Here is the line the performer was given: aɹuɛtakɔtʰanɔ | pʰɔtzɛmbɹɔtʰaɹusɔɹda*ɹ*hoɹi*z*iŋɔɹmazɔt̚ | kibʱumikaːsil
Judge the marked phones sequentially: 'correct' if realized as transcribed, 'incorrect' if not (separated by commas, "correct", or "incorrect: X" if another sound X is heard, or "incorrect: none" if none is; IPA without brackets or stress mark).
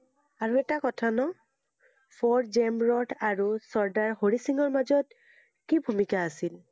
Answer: correct, incorrect: s